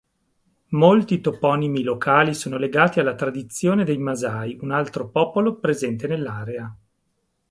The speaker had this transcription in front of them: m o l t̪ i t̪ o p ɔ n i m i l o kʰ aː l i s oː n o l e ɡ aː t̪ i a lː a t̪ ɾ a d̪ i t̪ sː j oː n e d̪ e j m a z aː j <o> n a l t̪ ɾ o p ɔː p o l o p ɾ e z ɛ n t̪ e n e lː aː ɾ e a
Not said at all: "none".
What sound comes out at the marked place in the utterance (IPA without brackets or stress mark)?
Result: u